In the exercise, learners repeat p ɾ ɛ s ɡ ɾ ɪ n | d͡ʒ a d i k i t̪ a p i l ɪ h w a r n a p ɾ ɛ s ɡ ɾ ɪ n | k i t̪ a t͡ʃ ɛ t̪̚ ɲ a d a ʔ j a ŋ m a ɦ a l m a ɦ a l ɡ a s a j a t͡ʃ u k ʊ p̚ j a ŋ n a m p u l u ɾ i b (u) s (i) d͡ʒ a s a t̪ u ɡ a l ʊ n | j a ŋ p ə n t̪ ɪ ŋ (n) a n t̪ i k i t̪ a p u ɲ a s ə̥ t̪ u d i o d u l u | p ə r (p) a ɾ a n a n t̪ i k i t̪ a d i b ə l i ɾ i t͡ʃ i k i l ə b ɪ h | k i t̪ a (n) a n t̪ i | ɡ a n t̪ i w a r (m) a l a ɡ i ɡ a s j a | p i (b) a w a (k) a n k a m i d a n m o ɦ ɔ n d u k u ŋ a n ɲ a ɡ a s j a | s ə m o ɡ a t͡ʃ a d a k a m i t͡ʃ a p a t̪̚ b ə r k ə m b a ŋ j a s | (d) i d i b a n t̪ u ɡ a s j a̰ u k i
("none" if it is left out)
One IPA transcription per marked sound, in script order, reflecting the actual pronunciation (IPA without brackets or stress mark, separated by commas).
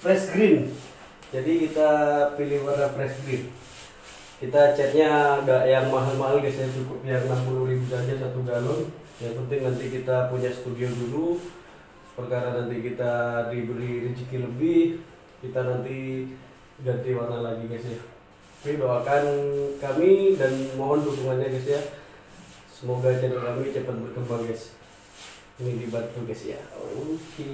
u, a, n, k, n, n, b, k, n